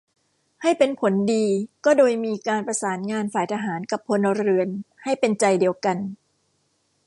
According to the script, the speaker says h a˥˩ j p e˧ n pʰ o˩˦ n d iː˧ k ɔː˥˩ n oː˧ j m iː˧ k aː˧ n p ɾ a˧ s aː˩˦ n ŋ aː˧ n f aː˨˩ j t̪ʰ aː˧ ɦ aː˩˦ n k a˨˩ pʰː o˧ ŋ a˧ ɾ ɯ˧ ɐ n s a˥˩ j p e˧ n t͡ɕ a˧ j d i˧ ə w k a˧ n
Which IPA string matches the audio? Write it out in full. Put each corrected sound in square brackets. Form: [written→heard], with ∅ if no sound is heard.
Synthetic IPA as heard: h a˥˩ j p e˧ n pʰ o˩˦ n d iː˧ k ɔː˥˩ [n→d] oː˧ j m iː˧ k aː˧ n p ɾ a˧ s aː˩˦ n ŋ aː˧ n f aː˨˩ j t̪ʰ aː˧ ɦ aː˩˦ n k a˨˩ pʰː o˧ [ŋ→n] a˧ ɾ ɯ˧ [ɐ→ə] n [s→h] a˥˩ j p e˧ n t͡ɕ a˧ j d i˧ ə w k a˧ n